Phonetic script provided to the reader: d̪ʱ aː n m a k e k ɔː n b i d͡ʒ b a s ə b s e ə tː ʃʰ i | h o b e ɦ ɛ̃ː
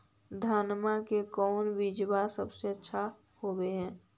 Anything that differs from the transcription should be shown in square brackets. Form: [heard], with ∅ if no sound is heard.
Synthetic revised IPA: d̪ʱ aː n m a k e k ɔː n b i d͡ʒ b a s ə b s e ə tː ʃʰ [a] | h o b e ɦ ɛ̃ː